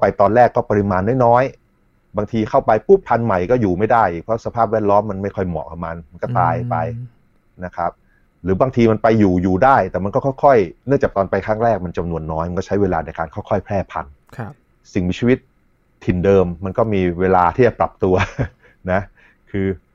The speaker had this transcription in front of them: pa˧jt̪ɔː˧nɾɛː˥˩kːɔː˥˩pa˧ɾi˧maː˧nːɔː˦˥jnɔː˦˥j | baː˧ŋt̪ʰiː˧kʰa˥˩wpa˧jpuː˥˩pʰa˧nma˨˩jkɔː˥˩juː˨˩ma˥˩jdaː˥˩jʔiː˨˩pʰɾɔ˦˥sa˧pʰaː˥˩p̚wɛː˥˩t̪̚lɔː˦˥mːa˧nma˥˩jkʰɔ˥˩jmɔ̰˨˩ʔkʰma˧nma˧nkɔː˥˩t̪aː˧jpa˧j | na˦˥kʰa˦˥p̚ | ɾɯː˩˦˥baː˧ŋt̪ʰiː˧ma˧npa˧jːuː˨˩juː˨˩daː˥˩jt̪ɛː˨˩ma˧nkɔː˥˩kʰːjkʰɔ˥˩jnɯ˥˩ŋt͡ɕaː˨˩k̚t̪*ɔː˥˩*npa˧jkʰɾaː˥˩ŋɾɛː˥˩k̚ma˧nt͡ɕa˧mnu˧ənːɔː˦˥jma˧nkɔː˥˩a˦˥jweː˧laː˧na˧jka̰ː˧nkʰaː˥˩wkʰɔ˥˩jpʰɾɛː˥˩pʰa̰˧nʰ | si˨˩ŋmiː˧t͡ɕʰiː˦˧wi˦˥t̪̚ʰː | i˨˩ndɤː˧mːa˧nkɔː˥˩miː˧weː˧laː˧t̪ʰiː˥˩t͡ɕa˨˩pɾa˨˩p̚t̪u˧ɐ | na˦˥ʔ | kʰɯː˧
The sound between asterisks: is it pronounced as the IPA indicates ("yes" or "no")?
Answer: no